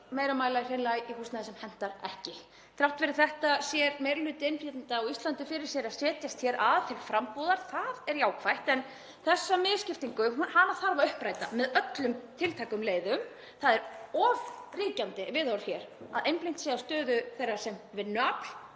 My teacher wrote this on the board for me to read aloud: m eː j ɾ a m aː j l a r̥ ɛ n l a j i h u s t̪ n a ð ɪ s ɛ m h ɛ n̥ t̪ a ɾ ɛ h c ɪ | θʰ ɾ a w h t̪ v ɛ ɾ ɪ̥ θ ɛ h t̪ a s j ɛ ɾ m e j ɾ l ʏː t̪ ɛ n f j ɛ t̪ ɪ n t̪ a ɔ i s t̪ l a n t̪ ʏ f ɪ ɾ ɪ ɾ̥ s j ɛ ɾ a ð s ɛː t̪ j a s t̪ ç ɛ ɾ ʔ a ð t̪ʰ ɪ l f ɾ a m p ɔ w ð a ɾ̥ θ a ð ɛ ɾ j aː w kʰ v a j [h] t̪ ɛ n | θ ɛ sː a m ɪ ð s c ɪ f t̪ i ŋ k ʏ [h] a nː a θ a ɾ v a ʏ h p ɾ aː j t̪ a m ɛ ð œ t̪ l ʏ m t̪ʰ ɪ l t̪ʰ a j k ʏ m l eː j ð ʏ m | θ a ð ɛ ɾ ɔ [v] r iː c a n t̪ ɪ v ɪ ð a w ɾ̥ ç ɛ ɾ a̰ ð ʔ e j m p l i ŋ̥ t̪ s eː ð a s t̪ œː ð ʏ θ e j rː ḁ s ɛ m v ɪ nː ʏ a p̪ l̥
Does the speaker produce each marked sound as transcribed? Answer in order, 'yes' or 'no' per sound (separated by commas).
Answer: yes, yes, yes